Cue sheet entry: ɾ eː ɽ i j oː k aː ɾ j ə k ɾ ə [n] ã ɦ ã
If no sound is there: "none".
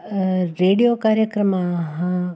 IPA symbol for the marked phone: m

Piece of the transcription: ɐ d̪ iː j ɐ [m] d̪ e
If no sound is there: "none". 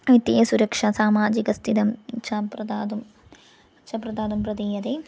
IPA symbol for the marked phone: none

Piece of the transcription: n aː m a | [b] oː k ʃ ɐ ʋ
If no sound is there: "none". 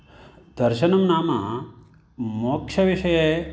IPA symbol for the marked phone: m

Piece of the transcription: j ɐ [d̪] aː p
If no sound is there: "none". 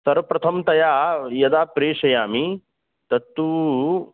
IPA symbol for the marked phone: d̪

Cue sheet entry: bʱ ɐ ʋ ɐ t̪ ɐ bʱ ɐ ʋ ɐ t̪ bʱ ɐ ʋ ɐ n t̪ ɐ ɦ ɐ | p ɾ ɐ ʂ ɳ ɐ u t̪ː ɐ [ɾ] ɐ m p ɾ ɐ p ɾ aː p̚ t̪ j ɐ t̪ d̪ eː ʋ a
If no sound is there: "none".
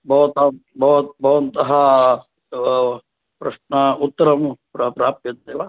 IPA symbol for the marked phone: ɾ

